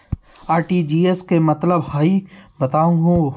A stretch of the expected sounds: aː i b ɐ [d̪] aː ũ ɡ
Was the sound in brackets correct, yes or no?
no